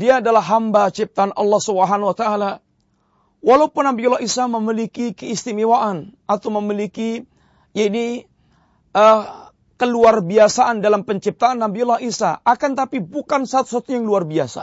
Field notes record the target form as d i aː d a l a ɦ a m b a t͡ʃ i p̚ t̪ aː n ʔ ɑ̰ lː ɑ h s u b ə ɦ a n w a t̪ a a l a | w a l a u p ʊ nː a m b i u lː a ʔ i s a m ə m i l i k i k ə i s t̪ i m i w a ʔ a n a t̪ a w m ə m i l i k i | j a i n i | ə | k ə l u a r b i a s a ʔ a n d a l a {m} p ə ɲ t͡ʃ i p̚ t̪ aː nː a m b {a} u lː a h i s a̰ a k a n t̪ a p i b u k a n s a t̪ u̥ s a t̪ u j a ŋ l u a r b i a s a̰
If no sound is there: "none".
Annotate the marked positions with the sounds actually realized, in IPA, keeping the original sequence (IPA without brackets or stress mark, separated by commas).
m, i